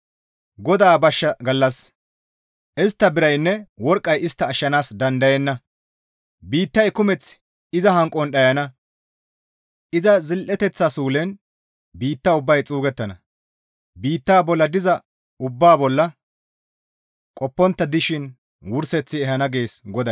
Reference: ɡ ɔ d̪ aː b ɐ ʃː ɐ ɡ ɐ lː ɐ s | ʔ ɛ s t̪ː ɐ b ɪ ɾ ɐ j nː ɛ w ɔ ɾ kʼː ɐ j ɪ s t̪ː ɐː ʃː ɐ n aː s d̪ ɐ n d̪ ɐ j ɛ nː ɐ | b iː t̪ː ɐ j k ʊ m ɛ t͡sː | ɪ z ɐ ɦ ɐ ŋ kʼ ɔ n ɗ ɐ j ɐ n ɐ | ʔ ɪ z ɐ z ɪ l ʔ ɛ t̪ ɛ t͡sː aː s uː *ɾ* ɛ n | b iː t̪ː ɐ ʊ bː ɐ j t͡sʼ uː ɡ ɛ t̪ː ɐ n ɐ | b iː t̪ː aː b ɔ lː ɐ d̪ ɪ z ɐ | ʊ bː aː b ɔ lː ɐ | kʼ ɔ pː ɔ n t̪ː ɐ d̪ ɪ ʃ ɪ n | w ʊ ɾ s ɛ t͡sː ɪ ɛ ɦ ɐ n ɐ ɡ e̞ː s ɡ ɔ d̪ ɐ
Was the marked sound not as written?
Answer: yes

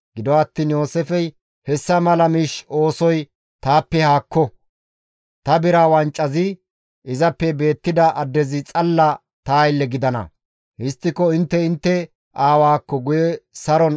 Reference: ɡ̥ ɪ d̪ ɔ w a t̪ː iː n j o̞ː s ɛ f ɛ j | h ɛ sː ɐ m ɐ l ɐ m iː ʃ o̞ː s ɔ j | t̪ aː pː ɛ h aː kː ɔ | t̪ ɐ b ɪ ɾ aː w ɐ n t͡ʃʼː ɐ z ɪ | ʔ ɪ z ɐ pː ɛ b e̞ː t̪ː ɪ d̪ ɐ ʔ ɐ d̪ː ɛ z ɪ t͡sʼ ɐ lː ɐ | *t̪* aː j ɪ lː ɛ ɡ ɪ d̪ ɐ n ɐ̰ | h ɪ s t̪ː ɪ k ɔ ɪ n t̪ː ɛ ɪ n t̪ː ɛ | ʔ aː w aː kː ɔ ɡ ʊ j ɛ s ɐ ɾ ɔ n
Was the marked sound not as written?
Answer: no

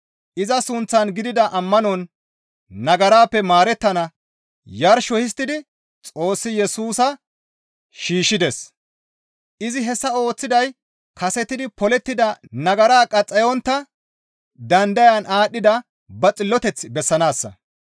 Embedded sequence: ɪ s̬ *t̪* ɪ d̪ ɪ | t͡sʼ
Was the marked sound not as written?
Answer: no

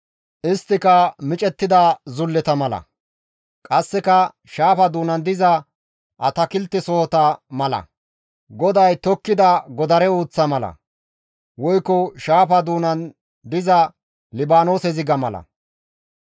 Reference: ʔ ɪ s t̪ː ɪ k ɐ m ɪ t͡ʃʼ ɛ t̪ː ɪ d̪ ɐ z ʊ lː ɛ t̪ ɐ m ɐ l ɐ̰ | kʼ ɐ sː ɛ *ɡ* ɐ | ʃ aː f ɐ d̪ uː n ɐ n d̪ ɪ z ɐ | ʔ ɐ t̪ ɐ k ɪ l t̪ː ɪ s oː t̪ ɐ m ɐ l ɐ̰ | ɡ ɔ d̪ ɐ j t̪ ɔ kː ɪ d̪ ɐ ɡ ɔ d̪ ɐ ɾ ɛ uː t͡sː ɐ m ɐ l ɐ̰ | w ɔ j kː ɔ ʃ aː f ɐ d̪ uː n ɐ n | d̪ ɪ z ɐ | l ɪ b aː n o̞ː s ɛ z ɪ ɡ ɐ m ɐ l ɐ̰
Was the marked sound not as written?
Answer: yes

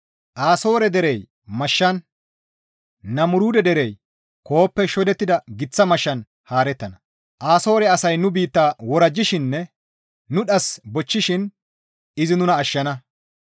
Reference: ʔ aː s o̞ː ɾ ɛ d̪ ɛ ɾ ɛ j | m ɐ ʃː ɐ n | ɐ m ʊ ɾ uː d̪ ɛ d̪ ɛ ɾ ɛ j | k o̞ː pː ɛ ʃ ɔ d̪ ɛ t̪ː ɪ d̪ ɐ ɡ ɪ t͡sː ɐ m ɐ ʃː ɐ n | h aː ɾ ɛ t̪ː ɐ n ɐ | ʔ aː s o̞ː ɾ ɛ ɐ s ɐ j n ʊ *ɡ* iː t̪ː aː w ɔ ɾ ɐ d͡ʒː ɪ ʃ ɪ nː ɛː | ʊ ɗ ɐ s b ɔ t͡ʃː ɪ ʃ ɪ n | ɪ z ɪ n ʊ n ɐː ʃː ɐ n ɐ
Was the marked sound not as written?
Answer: yes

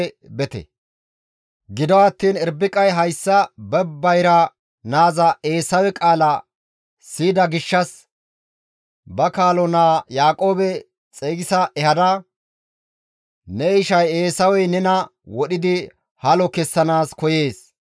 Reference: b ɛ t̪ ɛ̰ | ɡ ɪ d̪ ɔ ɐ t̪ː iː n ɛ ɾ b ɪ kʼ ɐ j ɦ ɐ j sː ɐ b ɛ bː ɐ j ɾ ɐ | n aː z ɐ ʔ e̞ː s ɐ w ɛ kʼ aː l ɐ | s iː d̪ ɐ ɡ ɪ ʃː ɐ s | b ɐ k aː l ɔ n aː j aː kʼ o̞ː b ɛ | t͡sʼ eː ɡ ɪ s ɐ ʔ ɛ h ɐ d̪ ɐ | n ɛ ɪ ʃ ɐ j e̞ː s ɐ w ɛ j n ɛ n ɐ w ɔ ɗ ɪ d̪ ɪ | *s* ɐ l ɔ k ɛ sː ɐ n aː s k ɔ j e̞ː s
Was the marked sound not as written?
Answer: yes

